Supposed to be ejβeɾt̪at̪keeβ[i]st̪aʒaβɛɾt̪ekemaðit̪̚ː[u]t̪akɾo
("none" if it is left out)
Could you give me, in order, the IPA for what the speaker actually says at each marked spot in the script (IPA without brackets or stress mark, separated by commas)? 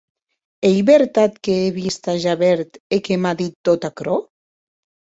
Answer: i, o